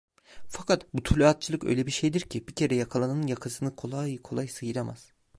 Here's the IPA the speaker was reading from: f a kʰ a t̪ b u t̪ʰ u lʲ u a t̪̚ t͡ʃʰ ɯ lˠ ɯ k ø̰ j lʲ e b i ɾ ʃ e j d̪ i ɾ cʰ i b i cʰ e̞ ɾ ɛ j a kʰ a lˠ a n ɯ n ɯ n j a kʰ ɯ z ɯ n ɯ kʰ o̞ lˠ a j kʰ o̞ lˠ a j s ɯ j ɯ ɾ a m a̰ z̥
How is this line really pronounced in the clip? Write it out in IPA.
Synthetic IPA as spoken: f a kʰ a t̪ b u t̪ʰ u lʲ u a t̪̚ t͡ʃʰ ɯ lˠ ɯ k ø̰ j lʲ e b i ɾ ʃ e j d̪ i ɾ cʰ i b i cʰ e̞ ɾ ɛ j a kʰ a lˠ a n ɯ n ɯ n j a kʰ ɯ s ɯ n ɯ kʰ o̞ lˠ a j kʰ o̞ lˠ a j s ɯ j ɯ ɾ a m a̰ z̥